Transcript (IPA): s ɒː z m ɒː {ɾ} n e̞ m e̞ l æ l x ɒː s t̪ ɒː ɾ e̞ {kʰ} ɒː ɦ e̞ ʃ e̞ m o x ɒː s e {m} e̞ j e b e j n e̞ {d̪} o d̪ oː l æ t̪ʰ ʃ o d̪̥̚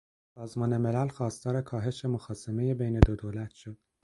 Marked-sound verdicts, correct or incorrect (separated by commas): incorrect, correct, correct, correct